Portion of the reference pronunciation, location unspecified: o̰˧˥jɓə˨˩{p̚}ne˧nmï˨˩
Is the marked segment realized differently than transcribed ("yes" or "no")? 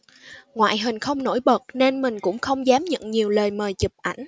yes